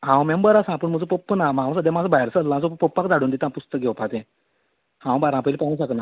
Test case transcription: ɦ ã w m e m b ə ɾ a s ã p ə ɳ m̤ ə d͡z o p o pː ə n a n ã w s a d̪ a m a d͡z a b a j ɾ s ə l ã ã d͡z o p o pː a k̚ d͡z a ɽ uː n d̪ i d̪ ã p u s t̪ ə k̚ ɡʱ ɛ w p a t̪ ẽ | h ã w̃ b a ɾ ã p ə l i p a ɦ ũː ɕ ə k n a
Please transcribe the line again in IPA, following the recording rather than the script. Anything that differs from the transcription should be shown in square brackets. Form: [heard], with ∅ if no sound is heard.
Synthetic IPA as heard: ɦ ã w m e m b ə ɾ a s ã p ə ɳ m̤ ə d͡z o p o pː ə n a [m] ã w s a d̪ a m a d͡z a b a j ɾ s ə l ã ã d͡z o p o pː a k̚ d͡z a ɽ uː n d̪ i [t̪] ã p u s t̪ ə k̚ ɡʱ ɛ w p a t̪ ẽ | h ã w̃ b a ɾ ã p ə l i p a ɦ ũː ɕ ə k n a